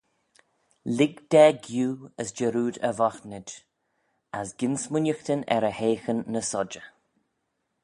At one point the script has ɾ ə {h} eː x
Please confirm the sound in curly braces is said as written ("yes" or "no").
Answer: yes